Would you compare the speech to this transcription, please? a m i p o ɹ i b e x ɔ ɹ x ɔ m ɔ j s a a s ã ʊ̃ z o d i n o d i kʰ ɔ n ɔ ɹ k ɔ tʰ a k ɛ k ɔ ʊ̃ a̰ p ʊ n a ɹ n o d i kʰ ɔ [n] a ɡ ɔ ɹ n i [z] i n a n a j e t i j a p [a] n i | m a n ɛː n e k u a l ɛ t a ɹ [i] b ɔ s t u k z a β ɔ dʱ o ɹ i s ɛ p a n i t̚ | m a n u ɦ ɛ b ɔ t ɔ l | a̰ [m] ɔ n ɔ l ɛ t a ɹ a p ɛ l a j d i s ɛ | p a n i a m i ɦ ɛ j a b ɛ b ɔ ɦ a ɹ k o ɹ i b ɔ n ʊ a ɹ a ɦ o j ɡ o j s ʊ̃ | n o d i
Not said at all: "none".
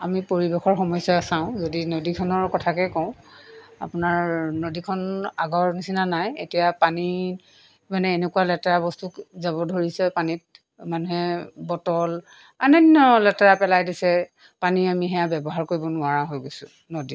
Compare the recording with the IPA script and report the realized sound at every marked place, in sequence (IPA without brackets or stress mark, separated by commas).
n, s, a, a, n